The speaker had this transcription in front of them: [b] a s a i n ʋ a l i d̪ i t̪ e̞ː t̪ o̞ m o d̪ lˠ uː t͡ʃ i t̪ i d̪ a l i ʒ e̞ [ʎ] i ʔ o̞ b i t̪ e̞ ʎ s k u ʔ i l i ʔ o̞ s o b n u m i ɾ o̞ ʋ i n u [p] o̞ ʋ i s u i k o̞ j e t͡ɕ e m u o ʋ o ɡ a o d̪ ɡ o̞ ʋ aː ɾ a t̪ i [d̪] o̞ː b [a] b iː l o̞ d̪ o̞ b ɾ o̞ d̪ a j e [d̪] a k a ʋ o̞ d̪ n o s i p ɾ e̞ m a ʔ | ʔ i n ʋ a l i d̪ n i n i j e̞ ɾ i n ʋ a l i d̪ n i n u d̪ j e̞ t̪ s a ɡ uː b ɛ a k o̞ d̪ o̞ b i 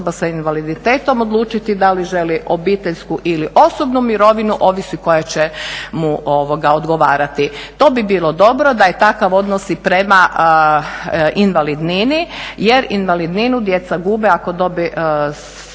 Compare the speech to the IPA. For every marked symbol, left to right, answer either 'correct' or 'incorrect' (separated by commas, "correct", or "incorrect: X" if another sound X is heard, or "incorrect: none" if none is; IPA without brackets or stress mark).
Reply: correct, incorrect: l, incorrect: ʔ, incorrect: t̪, incorrect: i, incorrect: t̪